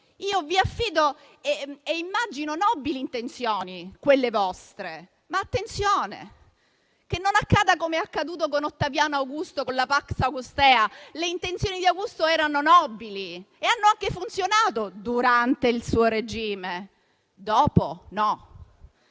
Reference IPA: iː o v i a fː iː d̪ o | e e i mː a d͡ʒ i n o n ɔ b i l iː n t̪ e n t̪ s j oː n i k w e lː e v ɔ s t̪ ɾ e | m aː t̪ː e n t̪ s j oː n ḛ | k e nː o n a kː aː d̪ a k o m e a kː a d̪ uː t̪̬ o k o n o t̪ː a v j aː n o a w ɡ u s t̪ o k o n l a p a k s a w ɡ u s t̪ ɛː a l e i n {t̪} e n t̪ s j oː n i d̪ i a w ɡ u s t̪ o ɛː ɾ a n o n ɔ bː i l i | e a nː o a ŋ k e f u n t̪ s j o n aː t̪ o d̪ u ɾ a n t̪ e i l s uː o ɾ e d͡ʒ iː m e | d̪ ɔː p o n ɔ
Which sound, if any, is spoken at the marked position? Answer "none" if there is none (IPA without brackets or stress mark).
t̪